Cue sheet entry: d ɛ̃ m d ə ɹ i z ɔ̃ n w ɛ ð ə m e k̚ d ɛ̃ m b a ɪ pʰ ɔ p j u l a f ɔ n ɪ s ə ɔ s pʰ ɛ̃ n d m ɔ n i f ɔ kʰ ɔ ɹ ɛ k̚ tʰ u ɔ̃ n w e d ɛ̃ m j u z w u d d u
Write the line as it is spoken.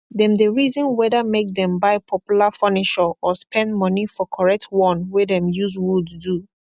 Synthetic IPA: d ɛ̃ m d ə ɹ i z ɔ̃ n w ɛ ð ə m e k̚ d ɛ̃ m b a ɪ pʰ ɔ p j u l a f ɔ n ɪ ʃ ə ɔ s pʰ ɛ̃ n d m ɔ n i f ɔ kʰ ɔ ɹ ɛ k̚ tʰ w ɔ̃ n w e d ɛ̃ m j u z w u d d u